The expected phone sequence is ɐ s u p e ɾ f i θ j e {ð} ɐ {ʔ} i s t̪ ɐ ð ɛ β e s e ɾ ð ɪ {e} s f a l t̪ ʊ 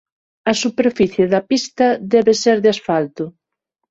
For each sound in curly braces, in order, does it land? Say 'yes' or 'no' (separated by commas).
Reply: yes, no, no